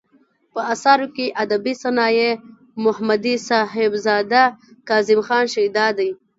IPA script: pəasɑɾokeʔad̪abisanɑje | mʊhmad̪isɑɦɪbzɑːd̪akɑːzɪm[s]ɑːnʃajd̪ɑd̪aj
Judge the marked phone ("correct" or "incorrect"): incorrect